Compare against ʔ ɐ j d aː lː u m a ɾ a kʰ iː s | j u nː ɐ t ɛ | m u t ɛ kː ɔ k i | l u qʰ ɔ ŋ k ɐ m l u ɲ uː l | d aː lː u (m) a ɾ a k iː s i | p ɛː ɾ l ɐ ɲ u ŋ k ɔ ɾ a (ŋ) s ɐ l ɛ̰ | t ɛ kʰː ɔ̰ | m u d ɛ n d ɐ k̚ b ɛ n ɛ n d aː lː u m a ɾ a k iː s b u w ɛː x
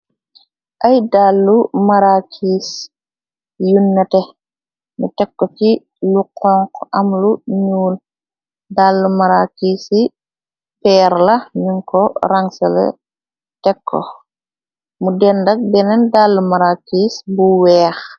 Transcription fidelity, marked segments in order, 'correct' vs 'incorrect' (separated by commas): correct, correct